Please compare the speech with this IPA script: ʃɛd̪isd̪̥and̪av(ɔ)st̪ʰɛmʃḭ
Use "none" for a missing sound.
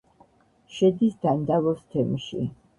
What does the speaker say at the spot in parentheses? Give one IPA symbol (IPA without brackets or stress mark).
ɔ